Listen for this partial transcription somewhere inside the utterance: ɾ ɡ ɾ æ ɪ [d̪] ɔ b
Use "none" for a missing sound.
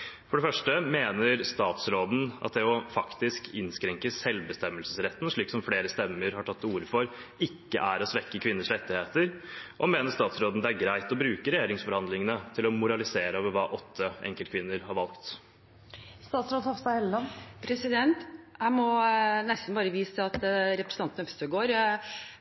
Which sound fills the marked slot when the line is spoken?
t̪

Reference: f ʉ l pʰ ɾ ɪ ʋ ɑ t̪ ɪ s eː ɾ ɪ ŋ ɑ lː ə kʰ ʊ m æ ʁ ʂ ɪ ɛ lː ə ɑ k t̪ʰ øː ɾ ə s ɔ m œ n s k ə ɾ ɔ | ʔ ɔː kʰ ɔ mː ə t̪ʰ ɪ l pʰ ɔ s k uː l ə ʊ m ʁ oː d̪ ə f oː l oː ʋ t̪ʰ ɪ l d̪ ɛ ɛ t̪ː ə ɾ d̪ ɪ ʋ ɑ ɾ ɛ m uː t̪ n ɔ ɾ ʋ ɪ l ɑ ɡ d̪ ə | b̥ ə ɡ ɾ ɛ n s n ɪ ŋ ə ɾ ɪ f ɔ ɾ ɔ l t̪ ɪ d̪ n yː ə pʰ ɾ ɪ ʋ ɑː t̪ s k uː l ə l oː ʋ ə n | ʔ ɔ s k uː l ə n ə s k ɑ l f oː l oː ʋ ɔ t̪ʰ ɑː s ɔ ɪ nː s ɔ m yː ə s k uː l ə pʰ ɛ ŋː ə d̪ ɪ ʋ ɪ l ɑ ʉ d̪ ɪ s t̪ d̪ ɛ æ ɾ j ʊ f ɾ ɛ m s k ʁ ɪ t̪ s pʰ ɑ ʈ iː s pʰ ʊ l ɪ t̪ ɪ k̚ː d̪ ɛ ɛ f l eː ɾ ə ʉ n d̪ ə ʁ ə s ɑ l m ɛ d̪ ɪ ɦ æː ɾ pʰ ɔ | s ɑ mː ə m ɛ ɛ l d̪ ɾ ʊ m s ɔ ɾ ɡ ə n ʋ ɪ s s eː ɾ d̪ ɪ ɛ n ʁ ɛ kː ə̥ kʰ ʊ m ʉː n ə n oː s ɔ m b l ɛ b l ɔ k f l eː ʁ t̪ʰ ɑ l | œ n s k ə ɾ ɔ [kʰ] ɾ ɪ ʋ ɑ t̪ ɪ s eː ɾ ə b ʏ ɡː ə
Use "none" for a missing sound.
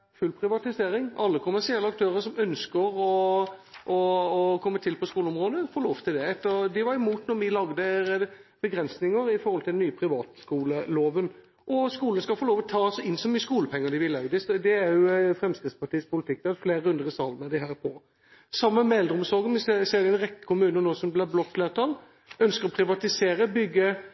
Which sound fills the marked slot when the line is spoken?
pʰ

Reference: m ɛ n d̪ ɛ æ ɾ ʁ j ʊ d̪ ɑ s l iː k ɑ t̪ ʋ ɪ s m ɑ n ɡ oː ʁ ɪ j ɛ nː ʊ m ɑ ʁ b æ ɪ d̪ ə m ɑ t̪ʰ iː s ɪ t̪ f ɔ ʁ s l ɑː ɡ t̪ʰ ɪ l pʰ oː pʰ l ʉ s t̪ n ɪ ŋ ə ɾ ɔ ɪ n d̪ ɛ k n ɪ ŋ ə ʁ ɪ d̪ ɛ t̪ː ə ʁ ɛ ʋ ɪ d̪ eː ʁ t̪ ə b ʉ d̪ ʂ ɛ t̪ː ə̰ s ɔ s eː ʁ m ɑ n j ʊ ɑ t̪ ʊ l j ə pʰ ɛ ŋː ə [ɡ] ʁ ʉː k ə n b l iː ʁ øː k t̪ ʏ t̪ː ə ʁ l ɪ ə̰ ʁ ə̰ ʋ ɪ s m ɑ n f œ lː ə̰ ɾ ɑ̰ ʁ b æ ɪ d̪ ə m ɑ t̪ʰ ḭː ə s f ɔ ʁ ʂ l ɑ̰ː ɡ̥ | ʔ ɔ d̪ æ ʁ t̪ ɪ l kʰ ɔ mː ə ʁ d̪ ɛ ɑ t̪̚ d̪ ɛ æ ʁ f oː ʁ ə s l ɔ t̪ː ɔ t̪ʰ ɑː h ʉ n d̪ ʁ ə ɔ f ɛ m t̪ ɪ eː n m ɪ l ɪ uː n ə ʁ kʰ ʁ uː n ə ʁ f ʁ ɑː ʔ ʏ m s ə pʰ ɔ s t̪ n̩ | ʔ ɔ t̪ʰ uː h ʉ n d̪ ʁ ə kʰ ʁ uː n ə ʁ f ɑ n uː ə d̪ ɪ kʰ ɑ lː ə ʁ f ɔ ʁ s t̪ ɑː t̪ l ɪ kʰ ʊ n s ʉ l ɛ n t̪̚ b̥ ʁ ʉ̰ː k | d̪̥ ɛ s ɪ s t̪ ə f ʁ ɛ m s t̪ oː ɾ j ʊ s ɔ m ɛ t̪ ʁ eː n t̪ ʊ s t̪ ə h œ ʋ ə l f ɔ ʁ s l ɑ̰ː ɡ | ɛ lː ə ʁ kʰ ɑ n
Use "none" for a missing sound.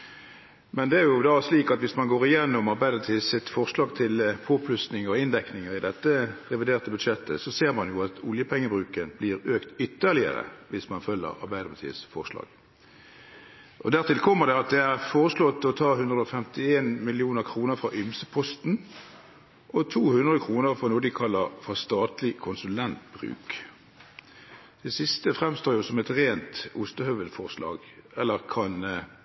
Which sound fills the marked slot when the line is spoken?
b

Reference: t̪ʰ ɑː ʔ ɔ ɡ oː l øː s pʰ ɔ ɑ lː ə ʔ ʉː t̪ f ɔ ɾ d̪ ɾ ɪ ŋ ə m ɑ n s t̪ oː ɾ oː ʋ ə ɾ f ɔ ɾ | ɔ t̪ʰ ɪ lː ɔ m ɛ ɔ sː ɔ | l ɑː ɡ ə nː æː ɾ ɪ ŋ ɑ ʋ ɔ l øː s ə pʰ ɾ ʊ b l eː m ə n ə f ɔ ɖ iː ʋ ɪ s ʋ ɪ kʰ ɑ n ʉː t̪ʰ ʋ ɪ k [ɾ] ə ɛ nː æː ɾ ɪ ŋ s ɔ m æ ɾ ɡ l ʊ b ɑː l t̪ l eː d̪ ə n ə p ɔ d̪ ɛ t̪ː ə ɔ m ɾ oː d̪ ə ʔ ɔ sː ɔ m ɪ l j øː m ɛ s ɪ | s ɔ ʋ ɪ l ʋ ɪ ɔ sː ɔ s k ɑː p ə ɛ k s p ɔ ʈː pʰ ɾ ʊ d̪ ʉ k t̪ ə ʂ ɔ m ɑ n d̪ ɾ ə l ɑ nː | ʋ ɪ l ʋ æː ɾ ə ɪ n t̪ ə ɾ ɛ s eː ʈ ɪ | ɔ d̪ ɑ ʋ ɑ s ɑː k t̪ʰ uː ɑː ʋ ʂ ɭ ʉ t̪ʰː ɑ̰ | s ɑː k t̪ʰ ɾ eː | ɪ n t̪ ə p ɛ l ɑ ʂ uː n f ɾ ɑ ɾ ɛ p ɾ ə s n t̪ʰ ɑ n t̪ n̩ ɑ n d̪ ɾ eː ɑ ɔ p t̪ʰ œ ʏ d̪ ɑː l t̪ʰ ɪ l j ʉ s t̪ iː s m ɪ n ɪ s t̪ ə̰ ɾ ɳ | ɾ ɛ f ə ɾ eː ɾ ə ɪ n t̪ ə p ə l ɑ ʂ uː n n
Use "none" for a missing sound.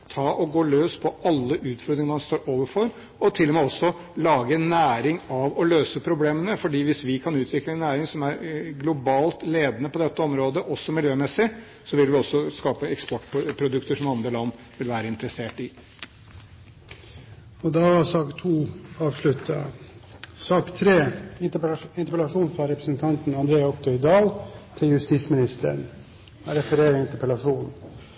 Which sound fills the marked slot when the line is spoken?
l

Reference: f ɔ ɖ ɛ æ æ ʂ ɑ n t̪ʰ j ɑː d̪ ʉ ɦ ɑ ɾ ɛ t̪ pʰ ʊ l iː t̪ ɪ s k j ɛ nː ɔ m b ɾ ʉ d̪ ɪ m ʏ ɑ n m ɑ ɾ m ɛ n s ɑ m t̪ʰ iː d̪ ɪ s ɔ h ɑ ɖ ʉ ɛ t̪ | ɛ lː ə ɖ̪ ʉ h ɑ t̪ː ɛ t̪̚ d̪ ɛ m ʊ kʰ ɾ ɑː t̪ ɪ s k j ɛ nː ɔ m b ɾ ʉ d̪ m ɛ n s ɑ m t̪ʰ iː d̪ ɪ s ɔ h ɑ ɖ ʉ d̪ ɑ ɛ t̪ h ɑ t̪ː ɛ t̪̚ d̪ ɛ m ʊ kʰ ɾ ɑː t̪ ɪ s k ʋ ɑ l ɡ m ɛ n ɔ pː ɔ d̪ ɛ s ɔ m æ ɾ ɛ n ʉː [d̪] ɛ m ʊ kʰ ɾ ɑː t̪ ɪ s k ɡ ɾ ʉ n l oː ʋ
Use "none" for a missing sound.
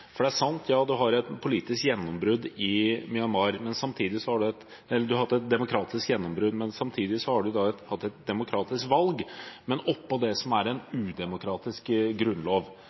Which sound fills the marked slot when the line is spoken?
d̪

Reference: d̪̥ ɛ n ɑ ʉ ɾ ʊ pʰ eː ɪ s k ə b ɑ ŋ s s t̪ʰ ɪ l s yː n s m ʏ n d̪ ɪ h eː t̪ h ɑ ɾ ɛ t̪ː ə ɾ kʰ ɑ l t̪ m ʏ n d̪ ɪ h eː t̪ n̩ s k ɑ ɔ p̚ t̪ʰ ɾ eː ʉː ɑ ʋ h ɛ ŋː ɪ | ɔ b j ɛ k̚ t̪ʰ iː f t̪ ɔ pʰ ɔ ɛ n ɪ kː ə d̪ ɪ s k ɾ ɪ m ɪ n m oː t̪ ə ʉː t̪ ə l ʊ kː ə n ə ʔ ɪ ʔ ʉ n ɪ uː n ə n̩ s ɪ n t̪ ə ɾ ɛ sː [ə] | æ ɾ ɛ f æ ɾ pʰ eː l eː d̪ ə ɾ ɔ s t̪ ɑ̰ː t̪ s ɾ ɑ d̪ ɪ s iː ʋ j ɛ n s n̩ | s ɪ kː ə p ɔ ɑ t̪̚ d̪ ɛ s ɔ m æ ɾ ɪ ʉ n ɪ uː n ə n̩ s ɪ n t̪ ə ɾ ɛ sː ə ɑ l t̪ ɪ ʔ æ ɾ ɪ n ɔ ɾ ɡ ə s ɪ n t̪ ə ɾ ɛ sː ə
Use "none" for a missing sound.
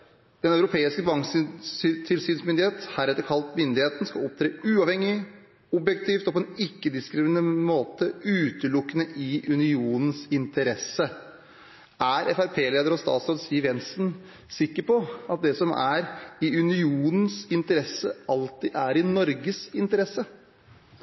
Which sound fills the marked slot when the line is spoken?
ə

